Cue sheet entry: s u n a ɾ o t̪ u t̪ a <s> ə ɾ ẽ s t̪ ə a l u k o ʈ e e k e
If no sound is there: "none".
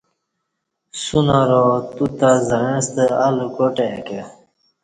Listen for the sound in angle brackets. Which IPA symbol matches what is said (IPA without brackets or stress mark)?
z